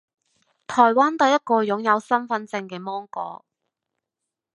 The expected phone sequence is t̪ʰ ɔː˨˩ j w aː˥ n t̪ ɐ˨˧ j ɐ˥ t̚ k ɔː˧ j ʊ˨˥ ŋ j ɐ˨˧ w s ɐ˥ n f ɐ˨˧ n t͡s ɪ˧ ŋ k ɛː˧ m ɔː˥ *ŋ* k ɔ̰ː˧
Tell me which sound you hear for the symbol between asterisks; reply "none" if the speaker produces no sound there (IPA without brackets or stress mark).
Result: ŋ